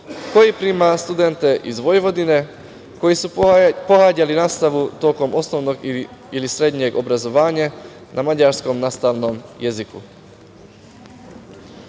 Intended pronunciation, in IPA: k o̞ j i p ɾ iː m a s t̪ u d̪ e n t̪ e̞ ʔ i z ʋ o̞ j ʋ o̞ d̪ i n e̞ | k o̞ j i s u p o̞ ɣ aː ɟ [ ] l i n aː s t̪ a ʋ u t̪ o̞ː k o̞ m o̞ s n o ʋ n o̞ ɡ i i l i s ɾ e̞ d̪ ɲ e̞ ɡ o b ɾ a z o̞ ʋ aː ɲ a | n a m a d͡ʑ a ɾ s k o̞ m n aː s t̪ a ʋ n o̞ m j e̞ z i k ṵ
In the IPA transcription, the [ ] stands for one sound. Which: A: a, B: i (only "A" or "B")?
A